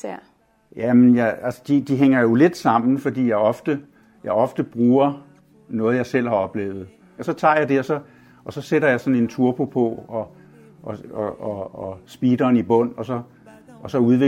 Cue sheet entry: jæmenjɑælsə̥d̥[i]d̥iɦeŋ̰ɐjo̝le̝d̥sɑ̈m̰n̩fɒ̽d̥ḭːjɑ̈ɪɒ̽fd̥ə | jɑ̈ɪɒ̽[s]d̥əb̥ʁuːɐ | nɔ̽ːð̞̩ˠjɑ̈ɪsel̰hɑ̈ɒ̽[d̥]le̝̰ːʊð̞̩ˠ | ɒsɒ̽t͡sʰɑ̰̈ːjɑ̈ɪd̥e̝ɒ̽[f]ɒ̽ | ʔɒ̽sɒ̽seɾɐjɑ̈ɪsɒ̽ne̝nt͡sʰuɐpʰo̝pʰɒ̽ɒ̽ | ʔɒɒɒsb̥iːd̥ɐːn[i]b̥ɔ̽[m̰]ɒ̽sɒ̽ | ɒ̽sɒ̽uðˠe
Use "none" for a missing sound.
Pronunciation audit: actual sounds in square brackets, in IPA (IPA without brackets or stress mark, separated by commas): i, f, b̥, s, i, n̰